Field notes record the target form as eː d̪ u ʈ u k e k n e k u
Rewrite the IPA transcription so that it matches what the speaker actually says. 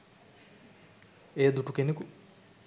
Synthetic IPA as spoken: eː d̪ u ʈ u k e n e k u